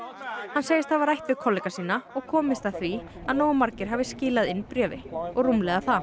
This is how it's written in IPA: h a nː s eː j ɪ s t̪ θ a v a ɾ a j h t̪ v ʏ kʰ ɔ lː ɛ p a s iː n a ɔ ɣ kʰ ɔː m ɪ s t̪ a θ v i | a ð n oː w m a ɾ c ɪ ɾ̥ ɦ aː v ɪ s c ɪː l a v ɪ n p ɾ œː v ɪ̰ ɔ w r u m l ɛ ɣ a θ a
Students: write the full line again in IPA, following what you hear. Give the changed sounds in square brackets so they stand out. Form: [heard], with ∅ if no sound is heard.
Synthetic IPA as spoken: h a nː s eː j ɪ s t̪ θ a v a ɾ a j h t̪ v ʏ kʰ ɔ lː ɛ [k] a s iː n a ɔ ɣ kʰ ɔː m ɪ s t̪ a θ v i | a ð n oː w m a ɾ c ɪ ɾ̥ ɦ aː v ɪ s c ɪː l a [ð] ɪ n p ɾ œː v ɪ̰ ɔ [ɣ] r u m l ɛ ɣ a θ a